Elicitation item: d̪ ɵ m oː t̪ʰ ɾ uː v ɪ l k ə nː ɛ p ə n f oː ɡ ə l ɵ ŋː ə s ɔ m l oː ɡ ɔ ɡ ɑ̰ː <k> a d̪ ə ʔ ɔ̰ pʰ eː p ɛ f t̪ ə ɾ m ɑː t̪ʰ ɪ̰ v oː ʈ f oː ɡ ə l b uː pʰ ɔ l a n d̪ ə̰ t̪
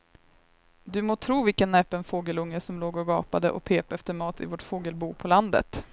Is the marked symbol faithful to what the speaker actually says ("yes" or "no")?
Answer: no